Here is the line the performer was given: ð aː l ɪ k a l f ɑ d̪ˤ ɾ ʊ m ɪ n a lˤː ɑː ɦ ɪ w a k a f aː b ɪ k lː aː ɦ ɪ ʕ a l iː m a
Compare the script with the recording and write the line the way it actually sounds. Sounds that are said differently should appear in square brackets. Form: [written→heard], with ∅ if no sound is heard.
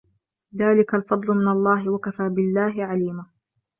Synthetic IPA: ð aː l ɪ k a l f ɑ d̪ˤ [ɾ→l] ʊ m ɪ n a lˤː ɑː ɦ ɪ w a k a f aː b ɪ [k→∅] lː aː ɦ ɪ ʕ a l iː m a